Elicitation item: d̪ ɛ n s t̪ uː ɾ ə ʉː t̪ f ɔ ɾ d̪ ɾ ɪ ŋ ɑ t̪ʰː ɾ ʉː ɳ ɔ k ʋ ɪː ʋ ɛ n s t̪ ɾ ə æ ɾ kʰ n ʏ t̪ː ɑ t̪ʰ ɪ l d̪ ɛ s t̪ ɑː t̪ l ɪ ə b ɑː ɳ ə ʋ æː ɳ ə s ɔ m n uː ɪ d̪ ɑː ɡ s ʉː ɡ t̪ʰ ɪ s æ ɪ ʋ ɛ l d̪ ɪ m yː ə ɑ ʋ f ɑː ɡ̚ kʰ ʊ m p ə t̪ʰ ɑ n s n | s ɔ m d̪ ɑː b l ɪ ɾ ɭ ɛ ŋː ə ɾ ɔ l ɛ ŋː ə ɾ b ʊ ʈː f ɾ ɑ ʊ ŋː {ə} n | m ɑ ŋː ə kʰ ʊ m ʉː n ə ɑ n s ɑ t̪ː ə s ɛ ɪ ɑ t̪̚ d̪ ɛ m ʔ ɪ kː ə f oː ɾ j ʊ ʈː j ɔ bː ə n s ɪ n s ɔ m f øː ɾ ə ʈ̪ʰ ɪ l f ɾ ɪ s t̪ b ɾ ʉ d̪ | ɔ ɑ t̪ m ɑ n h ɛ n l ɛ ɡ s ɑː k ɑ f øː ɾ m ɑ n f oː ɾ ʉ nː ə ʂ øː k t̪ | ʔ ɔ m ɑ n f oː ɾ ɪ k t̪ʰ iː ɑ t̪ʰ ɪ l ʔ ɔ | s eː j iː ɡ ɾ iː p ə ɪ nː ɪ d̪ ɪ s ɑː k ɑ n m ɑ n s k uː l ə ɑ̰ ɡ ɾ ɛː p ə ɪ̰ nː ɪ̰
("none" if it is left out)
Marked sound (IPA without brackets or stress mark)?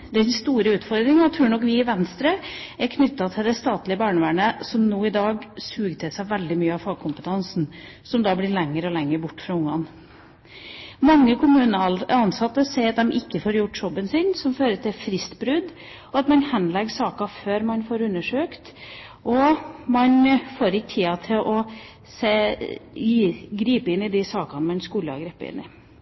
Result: ɑ